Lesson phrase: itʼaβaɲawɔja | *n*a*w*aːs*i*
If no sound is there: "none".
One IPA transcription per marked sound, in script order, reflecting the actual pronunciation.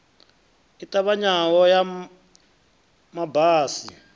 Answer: m, b, i

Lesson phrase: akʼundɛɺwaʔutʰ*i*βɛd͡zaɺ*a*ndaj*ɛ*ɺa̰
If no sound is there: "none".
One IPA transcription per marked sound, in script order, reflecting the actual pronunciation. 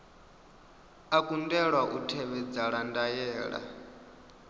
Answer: ɛ, a, ɛː

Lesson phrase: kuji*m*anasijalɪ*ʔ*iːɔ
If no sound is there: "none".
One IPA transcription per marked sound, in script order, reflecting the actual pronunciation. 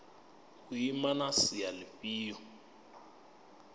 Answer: m, p

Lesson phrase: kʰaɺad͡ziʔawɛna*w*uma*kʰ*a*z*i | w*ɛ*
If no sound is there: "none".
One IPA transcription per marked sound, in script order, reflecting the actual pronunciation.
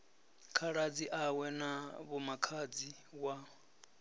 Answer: β, kʰ, d͡z, a

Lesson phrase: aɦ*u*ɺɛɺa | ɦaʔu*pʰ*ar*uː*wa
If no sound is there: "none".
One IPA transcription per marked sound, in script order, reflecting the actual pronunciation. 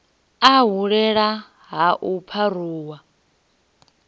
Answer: u, pʰ, uː

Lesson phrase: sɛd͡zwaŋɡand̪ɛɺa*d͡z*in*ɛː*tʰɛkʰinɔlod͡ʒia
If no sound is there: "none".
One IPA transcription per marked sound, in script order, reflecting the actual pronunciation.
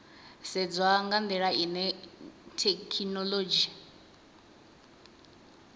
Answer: none, ɛ

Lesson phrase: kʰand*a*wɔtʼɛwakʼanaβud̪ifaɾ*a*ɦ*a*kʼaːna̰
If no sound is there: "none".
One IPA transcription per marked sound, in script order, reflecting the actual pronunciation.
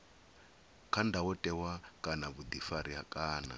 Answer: a, i, a

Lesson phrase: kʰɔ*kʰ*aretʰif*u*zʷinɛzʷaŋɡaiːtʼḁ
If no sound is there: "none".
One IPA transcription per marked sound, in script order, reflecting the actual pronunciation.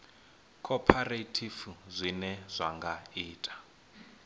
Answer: pʰ, u

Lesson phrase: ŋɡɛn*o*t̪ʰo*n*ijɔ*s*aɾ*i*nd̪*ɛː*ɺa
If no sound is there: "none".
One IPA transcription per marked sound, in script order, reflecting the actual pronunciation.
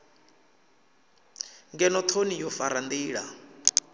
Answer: ɔ, n, f, a, iː

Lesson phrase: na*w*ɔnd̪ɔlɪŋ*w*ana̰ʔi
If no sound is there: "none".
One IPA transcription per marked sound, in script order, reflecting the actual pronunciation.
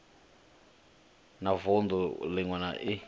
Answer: v, w

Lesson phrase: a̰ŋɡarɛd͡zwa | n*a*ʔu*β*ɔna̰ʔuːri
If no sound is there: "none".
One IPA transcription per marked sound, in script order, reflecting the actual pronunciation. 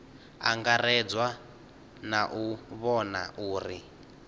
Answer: a, β

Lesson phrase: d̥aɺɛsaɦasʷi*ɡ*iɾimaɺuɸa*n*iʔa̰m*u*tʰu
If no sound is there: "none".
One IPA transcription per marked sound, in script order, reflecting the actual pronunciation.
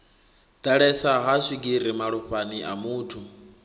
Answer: ɡ, n, uː

